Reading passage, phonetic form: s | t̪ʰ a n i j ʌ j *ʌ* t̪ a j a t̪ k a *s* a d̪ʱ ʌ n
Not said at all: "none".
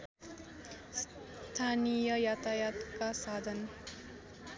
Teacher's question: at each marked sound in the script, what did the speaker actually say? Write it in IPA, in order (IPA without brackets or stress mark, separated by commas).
a, s